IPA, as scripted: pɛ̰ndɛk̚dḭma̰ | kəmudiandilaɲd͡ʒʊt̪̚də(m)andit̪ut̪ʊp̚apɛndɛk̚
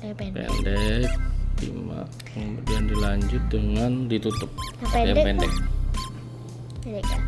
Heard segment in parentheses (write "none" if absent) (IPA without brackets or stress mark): ŋ